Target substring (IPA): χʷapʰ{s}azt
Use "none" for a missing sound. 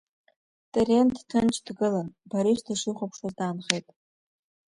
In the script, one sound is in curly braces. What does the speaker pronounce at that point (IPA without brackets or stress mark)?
ʂ